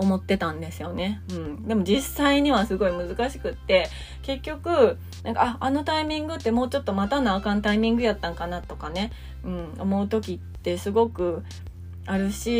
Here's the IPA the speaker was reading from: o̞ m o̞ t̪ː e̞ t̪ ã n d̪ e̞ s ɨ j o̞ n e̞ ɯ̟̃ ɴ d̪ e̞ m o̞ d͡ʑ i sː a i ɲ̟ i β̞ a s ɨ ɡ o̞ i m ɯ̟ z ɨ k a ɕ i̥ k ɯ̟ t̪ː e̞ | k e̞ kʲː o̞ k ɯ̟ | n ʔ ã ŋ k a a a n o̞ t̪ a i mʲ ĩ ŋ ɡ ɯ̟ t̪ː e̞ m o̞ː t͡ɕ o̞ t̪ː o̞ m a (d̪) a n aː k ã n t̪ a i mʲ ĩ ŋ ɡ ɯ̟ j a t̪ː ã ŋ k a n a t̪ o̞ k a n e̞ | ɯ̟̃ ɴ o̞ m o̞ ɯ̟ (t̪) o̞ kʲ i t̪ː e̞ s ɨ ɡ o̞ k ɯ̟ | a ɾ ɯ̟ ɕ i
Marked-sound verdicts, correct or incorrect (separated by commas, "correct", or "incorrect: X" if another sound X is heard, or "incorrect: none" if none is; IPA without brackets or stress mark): incorrect: t̪, correct